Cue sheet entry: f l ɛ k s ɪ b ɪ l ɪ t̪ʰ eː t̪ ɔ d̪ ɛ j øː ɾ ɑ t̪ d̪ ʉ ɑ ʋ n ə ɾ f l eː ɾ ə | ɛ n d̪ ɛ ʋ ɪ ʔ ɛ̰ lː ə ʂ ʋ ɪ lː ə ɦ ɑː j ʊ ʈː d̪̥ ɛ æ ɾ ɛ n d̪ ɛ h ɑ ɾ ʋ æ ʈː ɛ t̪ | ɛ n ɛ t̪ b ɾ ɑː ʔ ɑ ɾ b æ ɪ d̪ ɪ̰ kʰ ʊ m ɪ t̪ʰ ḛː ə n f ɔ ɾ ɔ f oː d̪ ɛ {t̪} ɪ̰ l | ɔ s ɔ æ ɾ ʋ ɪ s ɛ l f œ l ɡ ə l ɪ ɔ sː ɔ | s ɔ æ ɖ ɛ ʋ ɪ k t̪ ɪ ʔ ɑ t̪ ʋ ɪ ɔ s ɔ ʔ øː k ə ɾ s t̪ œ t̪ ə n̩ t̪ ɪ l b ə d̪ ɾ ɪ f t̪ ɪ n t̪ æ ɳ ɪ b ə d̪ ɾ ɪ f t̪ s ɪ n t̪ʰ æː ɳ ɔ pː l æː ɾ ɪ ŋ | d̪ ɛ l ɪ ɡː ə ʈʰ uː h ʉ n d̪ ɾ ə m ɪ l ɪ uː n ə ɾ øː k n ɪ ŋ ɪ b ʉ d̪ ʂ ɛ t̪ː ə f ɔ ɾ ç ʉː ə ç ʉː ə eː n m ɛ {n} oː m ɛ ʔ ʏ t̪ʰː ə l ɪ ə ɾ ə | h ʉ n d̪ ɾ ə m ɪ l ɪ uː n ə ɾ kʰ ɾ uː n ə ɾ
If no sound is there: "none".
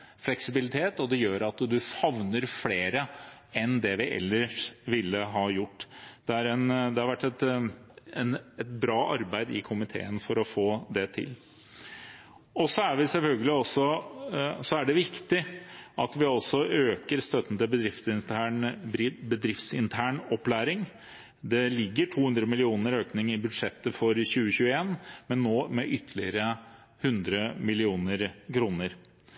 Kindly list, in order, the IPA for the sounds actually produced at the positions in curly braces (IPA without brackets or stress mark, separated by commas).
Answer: t̪ʰ, nː